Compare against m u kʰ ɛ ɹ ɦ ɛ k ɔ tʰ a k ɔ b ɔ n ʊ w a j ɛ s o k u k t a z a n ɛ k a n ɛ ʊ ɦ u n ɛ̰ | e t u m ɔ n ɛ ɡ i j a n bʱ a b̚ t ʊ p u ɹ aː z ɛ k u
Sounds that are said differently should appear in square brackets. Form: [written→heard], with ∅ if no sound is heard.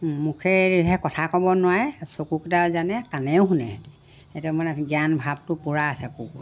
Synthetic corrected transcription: m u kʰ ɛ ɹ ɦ ɛ k ɔ tʰ a k ɔ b ɔ n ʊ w a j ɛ s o k u k t a z a n ɛ k a n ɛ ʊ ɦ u n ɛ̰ | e t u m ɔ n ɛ ɡ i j a n bʱ a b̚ t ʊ p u ɹ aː [z→s] ɛ k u